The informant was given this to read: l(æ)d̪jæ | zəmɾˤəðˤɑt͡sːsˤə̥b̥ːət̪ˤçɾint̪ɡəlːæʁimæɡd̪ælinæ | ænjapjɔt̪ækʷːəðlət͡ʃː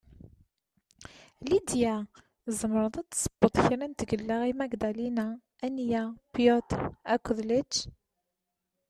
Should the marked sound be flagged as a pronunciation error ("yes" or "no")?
yes